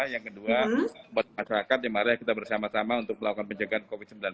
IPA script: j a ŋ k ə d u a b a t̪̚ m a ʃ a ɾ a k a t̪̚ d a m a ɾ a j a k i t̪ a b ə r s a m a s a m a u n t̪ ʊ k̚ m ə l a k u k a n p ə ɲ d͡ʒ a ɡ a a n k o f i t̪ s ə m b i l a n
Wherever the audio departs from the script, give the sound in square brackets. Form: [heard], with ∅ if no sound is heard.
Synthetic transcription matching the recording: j a ŋ k ə d u a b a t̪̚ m a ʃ a ɾ a k a t̪̚ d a m a ɾ a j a k i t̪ a b ə r s a m a s a m a u n t̪ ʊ k̚ m ə l a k u k a n p ə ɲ d͡ʒ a ɡ a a n k o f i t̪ s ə m b i l a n